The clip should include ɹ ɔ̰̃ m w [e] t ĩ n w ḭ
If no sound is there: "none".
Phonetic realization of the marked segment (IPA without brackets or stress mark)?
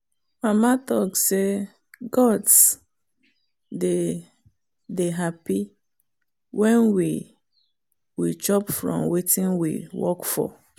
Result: e